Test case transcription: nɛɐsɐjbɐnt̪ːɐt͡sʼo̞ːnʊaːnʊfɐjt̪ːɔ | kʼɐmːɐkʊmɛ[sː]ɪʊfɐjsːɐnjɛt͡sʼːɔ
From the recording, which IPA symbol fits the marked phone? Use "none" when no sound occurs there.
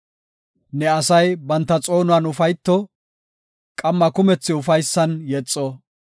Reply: t͡sː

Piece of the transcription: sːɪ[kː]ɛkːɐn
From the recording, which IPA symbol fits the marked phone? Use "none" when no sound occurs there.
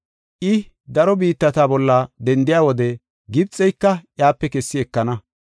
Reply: none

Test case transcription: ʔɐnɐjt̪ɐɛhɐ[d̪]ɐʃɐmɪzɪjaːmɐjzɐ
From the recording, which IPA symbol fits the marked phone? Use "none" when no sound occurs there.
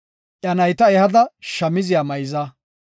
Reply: d̪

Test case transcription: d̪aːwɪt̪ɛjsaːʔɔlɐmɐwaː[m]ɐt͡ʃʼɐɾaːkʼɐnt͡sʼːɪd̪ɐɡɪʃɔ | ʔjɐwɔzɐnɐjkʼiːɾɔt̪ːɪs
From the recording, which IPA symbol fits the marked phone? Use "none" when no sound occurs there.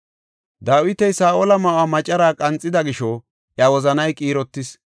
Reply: m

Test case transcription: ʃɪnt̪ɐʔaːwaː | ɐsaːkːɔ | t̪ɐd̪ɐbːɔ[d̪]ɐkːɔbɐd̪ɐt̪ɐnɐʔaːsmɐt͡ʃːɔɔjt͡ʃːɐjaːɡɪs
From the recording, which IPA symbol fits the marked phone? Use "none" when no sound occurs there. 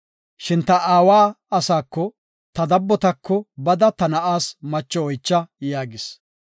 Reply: t̪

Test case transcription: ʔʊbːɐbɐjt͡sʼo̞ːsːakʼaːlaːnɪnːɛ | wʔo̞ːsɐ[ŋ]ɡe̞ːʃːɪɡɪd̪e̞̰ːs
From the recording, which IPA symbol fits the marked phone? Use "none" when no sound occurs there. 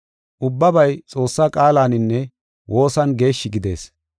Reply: n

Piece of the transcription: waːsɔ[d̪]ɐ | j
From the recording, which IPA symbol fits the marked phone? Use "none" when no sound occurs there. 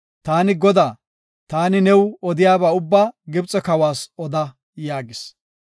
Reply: d̪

